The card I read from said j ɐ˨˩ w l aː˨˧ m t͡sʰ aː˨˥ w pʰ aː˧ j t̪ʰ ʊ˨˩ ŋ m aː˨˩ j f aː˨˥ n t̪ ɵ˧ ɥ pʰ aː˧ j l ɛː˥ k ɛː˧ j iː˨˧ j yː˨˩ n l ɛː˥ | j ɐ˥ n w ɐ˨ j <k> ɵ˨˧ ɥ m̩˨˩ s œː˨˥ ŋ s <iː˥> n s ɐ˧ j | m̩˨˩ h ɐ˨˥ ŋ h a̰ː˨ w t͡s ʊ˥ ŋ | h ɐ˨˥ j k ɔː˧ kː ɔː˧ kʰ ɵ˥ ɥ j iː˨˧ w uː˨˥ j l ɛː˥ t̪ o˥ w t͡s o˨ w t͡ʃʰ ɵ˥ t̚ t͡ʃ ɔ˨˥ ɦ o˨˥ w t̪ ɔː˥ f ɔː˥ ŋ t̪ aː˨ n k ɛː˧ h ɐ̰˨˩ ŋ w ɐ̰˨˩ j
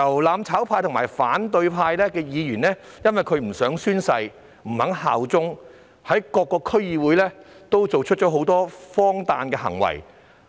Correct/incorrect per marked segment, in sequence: incorrect: kʰ, incorrect: yː˥

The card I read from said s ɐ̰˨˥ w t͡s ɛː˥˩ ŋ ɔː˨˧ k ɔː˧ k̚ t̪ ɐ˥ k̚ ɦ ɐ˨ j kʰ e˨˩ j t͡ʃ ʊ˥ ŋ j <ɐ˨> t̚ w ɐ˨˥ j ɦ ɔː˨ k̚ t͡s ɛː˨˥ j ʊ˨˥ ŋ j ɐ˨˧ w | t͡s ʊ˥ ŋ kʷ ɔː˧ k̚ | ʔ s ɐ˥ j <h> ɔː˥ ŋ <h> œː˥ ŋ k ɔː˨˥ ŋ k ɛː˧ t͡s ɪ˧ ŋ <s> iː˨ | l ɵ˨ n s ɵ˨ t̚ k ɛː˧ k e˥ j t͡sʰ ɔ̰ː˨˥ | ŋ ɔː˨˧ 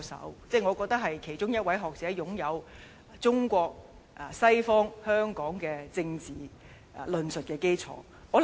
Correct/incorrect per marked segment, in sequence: incorrect: ɐ˥, incorrect: f, correct, incorrect: t͡s

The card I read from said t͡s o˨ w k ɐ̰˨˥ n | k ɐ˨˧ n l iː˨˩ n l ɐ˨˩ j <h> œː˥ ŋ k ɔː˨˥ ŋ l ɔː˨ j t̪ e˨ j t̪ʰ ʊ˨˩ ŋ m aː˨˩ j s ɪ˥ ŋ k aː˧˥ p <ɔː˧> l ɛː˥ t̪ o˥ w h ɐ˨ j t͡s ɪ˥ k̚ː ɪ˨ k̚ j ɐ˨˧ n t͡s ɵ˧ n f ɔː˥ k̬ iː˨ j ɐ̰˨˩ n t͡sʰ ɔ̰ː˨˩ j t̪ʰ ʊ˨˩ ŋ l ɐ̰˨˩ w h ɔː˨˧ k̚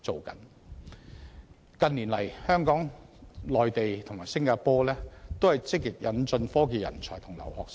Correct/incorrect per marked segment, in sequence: correct, incorrect: ɔː˥

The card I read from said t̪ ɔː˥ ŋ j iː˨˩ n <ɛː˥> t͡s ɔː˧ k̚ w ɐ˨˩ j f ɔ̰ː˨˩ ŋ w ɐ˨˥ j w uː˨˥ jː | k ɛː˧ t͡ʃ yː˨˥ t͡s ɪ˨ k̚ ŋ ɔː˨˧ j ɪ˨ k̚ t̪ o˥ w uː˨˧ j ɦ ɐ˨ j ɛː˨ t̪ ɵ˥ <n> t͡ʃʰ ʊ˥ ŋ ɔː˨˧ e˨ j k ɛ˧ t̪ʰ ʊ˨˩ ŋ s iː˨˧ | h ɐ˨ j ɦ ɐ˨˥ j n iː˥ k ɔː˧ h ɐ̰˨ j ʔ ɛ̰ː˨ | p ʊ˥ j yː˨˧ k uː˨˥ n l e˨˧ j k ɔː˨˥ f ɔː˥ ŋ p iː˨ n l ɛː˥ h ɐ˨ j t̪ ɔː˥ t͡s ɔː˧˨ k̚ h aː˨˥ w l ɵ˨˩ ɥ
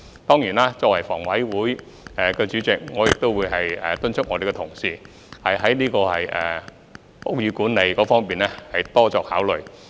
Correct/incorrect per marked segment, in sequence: incorrect: aː˥, correct

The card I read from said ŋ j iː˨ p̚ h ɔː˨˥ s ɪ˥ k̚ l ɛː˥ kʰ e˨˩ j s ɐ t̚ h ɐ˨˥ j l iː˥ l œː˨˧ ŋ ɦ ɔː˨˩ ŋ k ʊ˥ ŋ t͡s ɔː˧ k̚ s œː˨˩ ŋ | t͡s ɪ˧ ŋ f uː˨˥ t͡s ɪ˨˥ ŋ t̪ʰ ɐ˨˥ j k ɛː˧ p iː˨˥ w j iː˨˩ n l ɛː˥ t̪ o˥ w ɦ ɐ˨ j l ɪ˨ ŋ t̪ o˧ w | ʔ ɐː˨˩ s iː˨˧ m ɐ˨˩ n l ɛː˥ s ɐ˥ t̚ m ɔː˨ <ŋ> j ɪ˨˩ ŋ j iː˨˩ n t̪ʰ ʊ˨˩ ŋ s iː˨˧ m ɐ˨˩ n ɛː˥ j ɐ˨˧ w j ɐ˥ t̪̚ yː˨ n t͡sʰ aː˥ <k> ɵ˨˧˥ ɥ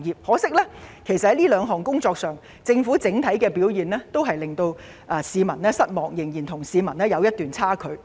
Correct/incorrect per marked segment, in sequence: correct, incorrect: kʰ

